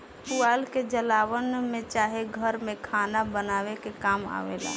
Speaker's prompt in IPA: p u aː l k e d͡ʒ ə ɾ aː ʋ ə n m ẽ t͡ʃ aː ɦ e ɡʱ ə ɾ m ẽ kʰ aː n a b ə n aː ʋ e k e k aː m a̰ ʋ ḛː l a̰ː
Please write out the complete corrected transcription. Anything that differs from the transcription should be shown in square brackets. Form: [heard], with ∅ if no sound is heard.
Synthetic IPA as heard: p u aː l k e d͡ʒ ə [l] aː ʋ ə n m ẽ t͡ʃ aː ɦ e ɡʱ ə ɾ m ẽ kʰ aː n a b ə n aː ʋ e k e k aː m a̰ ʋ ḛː l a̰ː